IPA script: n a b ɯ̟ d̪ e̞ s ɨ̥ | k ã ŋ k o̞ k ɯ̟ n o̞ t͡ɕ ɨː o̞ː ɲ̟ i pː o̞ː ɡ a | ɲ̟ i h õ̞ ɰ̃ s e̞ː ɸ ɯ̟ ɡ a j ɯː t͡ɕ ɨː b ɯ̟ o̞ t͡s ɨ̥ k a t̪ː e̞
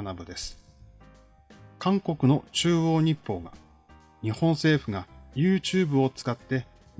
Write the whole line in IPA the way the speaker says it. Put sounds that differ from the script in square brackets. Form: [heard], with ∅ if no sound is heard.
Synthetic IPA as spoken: n a b ɯ̟ d̪ e̞ s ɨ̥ | k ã ŋ k o̞ k ɯ̟ n o̞ t͡ɕ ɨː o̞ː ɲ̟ i pː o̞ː ɡ a | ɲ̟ i h õ̞ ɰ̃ s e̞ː ɸ ɯ̟ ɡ a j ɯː t͡ɕ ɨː b ɯ̟ o̞ t͡s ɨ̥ k a t̪ː e̞